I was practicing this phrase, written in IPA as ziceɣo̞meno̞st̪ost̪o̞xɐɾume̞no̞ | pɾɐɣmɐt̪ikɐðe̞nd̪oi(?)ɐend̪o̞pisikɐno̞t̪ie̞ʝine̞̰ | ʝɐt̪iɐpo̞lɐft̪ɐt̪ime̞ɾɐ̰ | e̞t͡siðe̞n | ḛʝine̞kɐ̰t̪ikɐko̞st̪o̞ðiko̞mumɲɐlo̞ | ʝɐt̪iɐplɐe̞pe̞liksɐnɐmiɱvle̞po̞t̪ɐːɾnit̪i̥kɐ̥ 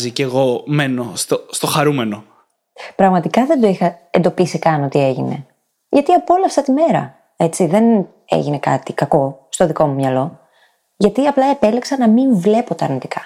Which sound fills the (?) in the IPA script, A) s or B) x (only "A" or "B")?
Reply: B